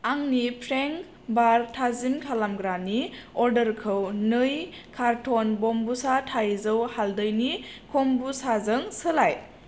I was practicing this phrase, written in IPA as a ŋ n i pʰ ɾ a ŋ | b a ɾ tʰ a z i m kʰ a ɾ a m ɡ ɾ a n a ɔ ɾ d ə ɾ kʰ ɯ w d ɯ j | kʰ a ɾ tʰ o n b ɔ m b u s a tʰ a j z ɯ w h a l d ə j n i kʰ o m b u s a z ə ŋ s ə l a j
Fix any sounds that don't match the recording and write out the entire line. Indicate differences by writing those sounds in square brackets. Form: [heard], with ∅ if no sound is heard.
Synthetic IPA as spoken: a ŋ n i pʰ ɾ [e] ŋ | b a ɾ tʰ a z i m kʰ a [l] a m ɡ ɾ a n [i] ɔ ɾ d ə ɾ kʰ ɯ w [n] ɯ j | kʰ a ɾ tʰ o n b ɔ m b u s a tʰ a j z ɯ w h a l d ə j n i kʰ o m b u s a z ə ŋ s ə l a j